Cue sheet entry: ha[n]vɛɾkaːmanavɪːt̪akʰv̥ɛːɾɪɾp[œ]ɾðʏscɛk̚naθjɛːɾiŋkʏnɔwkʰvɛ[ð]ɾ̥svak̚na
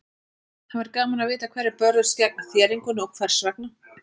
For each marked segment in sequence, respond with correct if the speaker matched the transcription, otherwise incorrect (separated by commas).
correct, correct, incorrect